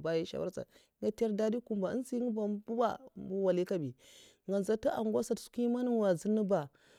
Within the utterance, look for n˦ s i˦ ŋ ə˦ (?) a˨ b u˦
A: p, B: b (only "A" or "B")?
B